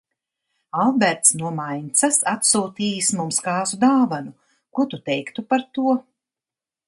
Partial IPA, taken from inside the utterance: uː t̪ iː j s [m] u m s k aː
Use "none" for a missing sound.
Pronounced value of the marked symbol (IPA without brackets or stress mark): m